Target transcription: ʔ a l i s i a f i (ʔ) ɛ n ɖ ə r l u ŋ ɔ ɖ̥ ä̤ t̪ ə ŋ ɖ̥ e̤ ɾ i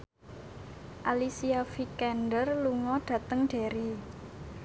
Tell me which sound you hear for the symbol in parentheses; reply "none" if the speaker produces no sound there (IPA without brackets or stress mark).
k